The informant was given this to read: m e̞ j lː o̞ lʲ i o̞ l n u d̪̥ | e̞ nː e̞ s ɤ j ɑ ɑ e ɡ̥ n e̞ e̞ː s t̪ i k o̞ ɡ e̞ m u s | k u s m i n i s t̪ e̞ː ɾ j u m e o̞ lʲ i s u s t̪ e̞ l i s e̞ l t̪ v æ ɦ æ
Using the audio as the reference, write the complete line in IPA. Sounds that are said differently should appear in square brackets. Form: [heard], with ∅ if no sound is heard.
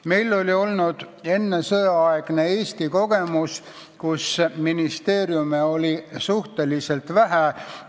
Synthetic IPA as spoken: m e̞ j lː o̞ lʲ i o̞ l n u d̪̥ | e̞ nː e̞ s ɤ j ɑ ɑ e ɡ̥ n e̞ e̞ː s t̪ i k o̞ ɡ e̞ m u s | k u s m i n i s t̪ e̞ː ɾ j u m e o̞ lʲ i s u [h] t̪ e̞ l i s e̞ l t̪ v æ ɦ æ

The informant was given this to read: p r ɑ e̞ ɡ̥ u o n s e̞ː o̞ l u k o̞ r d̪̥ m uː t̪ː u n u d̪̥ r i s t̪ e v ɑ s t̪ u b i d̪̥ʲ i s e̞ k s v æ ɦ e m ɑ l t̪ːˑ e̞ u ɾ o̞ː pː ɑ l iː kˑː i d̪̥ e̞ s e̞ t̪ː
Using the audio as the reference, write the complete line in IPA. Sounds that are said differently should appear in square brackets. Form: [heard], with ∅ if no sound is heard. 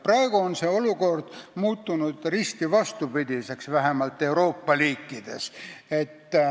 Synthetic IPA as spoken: p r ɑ e̞ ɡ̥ u o n s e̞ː o̞ l u k o̞ r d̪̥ m uː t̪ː u n u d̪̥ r i s t̪ [i] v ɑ s t̪ u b i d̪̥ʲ i s e̞ k s v æ ɦ e m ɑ l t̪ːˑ e̞ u ɾ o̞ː pː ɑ l iː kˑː i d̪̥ e̞ s e̞ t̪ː

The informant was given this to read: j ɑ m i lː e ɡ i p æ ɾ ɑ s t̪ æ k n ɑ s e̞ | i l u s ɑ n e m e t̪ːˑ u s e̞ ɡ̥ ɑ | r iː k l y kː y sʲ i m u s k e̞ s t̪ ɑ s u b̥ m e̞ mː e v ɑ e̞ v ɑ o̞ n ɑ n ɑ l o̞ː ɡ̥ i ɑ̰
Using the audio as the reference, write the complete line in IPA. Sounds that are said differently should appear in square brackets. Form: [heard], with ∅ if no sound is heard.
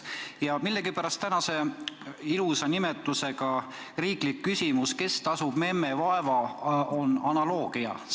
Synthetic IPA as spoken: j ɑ m i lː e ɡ i p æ ɾ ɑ s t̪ æ [∅] n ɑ s e̞ | i l u s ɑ n [i] m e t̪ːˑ u s e̞ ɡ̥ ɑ | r iː k l [i] kː y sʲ i m u s k e̞ s t̪ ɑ s u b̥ m e̞ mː e v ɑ e̞ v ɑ o̞ n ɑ n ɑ l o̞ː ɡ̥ i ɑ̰

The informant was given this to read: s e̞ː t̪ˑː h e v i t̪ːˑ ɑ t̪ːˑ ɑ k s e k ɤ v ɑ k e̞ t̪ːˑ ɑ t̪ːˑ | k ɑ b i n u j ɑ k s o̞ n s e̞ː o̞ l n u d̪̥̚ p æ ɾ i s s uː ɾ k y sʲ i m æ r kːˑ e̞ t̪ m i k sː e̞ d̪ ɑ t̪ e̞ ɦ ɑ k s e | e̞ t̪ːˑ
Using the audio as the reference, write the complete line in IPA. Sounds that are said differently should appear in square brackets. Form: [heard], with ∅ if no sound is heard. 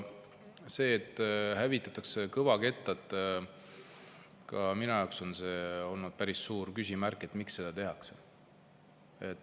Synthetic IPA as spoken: s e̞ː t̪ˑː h [æ] v i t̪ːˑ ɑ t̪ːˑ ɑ k s e k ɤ v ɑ k e̞ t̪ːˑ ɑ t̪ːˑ | k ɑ [m] i n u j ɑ k s o̞ n s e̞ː o̞ l n u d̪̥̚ p æ ɾ i s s uː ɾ k y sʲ i m æ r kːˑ e̞ t̪ m i k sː e̞ d̪ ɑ t̪ e̞ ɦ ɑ k s e | e̞ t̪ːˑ

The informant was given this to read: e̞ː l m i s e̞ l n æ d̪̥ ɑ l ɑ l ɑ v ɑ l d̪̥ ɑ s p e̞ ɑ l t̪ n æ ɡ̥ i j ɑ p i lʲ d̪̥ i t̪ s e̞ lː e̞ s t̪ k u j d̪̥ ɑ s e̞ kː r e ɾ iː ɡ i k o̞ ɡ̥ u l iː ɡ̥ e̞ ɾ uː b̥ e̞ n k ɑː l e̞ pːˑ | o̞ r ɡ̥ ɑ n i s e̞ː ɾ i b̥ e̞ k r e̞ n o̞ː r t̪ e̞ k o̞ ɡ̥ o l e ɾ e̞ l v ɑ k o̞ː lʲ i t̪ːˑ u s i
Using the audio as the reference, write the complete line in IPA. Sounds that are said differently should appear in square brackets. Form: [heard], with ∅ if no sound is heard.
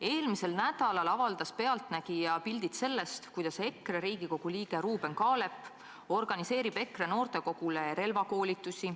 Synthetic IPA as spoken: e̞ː l m i s e̞ l n æ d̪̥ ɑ l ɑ l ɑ v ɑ l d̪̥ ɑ s p e̞ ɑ l t̪ n æ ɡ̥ i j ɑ p i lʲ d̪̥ i t̪ s e̞ lː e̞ s t̪ k u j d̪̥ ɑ s e̞ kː r e ɾ iː ɡ i k o̞ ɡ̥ u l iː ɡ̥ e̞ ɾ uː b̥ e̞ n k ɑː l e̞ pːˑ | o̞ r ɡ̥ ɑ n i s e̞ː ɾ i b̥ e̞ k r e̞ n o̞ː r t̪ e̞ k o̞ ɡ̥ [u] l e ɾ e̞ l v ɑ k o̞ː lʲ i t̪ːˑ u s i

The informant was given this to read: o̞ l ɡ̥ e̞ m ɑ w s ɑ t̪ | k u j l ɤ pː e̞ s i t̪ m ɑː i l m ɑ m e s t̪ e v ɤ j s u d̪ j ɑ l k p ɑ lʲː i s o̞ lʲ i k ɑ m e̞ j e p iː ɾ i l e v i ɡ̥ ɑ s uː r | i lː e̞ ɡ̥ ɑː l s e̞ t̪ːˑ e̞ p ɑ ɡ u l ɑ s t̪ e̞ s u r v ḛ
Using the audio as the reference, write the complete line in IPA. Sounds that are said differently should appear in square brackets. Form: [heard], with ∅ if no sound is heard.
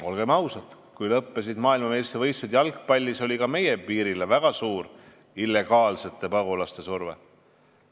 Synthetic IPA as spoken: o̞ l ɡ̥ e̞ m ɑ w s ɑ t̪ | k u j l ɤ pː e̞ s i [d̪] m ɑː i l m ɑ m e s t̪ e v ɤ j s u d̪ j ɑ l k p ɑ lʲː i s o̞ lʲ i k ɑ m e̞ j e p iː ɾ i l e v [æ] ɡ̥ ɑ s uː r | i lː e̞ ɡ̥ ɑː l s e̞ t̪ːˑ e̞ p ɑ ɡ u l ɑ s t̪ e̞ s u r v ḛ

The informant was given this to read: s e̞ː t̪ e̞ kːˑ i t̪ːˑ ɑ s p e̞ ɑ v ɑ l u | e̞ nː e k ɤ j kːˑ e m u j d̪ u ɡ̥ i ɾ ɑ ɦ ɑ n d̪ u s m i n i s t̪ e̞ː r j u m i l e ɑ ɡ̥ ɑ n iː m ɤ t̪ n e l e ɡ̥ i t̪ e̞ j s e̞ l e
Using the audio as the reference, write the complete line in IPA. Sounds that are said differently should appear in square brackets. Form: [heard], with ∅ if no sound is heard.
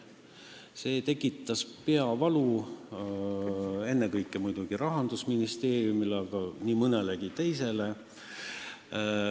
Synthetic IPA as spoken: s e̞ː t̪ e̞ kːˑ i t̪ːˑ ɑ s p e̞ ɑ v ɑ l u | e̞ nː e k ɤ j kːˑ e m u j d̪ u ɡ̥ i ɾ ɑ ɦ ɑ n d̪ u s m i n i s t̪ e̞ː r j u m i l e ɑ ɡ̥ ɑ n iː m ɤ [∅] n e l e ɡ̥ i t̪ e̞ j s e̞ l e

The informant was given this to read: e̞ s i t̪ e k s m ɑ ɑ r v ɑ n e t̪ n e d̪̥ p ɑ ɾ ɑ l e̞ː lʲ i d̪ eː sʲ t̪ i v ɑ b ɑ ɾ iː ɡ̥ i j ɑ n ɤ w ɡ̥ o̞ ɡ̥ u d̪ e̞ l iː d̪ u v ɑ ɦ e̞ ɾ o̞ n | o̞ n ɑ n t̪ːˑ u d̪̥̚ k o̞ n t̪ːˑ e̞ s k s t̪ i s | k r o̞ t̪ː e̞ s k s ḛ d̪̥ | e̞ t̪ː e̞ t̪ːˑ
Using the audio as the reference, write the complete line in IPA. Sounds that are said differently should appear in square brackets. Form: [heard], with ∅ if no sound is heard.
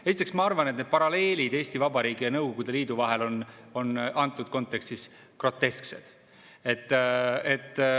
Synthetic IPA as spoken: e̞ s i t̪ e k s m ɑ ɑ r v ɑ n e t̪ n e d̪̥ p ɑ ɾ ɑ l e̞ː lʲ i d̪ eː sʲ t̪ i v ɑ b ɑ ɾ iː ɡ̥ i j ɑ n ɤ w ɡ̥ o̞ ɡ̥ u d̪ e̞ l iː d̪ u v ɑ ɦ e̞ [l] o̞ n | o̞ n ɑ n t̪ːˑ u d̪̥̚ k o̞ n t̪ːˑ e̞ [∅] k s t̪ i s | k r o̞ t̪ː e̞ s k s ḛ d̪̥ | e̞ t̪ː e̞ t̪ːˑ

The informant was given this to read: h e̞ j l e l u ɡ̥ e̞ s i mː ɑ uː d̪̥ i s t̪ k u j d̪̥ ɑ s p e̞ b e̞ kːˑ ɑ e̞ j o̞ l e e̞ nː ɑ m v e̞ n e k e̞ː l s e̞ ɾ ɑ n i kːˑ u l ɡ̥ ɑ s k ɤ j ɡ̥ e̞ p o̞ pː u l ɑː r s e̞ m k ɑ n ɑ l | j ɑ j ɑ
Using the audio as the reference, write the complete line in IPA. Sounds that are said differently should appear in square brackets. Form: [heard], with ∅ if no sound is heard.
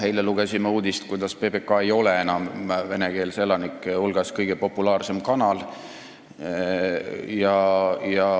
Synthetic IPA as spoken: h e̞ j l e l u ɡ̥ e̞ s i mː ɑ uː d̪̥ i s t̪ k u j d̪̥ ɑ s p e̞ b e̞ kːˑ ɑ e̞ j o̞ l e e̞ [n] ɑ m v e̞ n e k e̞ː l s e̞ [l] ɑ n i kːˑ u l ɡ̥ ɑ s k ɤ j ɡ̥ e̞ p o̞ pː u l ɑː r s e̞ m k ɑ n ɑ l | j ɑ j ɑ

